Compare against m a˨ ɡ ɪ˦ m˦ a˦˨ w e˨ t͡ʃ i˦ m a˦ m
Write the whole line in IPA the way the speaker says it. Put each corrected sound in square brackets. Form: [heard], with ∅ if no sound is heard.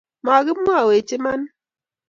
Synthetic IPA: m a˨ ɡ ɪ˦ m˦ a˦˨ w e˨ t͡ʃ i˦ m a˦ [n]